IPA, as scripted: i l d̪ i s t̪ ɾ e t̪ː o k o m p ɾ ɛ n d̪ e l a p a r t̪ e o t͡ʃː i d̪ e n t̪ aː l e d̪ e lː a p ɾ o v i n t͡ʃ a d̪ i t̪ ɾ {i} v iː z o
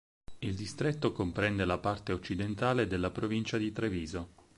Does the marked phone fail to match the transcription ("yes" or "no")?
yes